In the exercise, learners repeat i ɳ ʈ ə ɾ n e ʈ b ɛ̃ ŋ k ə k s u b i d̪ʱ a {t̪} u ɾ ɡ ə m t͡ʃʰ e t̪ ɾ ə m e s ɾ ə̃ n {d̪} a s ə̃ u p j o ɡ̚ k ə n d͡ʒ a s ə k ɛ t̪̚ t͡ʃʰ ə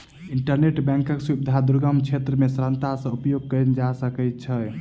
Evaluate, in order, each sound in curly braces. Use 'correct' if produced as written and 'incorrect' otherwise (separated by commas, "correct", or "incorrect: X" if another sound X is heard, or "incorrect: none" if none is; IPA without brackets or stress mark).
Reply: incorrect: d̪, incorrect: t̪